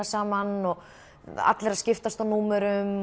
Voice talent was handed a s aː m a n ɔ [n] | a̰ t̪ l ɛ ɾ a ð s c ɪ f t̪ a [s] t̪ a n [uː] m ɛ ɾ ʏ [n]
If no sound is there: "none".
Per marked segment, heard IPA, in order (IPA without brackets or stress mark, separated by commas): none, s, uː, m